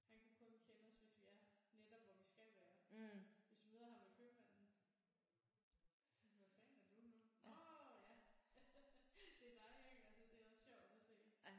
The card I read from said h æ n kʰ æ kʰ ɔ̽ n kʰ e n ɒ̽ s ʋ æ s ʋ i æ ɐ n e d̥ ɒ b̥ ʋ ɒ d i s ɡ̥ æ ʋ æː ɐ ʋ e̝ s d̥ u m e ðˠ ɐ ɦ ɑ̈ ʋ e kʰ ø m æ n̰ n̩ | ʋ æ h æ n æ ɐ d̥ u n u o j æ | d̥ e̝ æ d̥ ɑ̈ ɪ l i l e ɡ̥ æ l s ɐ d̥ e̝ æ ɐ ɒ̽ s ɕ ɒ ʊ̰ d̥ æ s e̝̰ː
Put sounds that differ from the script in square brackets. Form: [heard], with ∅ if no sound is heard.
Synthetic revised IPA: h æ n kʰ æ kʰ ɔ̽ n kʰ e n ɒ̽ s ʋ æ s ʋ i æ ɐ n e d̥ ɒ b̥ ʋ ɒ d i s ɡ̥ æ ʋ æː ɐ ʋ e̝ s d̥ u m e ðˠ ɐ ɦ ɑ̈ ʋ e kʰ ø m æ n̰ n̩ | ʋ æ [f] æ n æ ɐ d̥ u n u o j æ | d̥ e̝ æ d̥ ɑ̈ ɪ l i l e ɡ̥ æ l s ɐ d̥ e̝ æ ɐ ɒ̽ s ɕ ɒ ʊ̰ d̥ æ s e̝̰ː

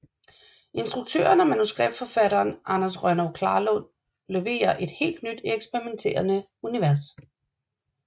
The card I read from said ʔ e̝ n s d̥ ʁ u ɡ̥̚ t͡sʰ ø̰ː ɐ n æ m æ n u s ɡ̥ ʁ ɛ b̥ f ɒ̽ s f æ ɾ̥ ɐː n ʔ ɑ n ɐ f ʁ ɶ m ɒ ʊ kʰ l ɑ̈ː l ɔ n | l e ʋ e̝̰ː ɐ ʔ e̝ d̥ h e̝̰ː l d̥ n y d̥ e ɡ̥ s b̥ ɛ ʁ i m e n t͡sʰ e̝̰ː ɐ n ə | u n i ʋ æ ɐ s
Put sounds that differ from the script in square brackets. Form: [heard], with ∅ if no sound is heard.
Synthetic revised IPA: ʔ e̝ n s d̥ ʁ u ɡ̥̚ t͡sʰ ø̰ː ɐ n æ m æ n u s ɡ̥ ʁ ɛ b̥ f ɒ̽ [∅] f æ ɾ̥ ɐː n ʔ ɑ n ɐ [s] ʁ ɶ [n] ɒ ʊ kʰ l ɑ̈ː l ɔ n | l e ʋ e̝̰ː ɐ ʔ e̝ d̥ h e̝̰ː l d̥ n y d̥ e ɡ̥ s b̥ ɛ ʁ i m e n t͡sʰ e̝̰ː ɐ n ə | u n i ʋ æ ɐ s

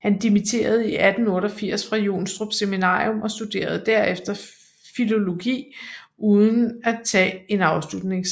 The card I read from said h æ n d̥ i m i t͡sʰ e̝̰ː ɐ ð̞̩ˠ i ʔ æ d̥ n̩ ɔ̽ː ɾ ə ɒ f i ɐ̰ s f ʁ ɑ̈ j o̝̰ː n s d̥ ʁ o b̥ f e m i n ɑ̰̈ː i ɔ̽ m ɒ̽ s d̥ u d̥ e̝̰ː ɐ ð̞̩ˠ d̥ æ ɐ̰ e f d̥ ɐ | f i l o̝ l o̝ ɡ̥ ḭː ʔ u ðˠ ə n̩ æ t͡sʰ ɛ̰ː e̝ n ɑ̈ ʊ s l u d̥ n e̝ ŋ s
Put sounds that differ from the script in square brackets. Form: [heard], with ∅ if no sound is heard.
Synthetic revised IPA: h æ n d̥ i m i t͡sʰ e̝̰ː ɐ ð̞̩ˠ i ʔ æ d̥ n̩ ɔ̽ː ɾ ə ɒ f i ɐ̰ s f ʁ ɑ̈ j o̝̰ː n s d̥ ʁ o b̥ [s] e m i n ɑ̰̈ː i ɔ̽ m ɒ̽ s d̥ u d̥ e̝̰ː ɐ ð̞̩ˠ d̥ æ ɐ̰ e f d̥ ɐ | f i l o̝ l o̝ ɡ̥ ḭː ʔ u ðˠ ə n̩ æ t͡sʰ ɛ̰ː e̝ n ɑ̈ ʊ s l u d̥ n e̝ ŋ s

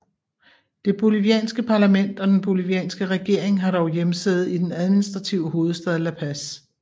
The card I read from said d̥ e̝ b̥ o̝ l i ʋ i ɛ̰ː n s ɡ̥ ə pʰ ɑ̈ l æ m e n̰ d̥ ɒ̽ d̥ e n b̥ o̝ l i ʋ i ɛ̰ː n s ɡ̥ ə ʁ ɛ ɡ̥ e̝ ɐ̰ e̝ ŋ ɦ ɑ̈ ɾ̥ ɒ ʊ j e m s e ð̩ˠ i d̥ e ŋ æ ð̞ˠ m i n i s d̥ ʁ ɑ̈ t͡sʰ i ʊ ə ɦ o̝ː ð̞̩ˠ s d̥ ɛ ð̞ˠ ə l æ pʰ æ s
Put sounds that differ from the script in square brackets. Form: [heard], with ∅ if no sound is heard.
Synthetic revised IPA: d̥ e̝ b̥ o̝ l i ʋ i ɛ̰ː n s ɡ̥ ə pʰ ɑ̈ l æ m e n̰ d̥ ɒ̽ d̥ e n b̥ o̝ l i ʋ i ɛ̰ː n s ɡ̥ ə ʁ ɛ ɡ̥ e̝ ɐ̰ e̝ ŋ ɦ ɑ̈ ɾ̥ ɒ ʊ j e m s e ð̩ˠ i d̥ e [n] æ ð̞ˠ m i n i s d̥ ʁ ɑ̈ t͡sʰ i ʊ ə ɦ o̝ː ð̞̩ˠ s d̥ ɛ ð̞ˠ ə l æ pʰ æ s

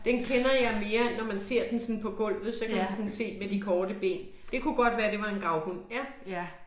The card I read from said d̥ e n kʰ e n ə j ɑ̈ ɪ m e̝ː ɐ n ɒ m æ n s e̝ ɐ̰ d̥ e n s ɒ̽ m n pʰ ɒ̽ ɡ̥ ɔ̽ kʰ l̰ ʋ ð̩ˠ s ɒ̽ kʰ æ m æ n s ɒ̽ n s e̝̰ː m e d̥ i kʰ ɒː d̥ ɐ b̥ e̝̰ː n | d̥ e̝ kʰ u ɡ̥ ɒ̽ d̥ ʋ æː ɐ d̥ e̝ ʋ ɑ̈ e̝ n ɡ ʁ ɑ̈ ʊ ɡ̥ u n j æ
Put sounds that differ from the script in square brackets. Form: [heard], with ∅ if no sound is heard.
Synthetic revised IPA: d̥ e n kʰ e n [ɐ] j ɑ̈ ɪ m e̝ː ɐ n ɒ m æ n s e̝ ɐ̰ d̥ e n s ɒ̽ [∅] n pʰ ɒ̽ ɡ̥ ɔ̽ [∅] l̰ ʋ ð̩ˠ s ɒ̽ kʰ æ m æ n s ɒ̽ n s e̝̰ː m e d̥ i kʰ ɒː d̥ [ə] b̥ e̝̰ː n | d̥ e̝ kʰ u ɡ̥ ɒ̽ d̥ ʋ æː ɐ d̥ e̝ ʋ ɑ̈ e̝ n ɡ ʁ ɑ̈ ʊ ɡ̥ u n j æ

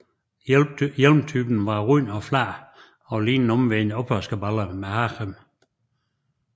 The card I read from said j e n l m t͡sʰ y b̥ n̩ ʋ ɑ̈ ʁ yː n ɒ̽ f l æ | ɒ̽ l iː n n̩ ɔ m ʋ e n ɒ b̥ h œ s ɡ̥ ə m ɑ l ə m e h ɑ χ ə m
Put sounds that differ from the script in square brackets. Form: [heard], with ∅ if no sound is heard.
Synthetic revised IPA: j e [∅] l m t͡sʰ y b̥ n̩ ʋ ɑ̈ ʁ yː n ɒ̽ f l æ | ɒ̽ l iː n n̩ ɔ m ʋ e n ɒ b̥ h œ s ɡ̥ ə [b] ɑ l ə m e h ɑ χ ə m

